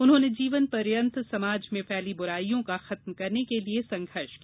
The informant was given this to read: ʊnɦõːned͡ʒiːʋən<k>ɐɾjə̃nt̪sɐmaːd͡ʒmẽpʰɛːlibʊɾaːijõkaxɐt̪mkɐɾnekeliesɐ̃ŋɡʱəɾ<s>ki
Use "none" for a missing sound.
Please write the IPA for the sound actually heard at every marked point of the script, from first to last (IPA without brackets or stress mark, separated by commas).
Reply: p, ʃ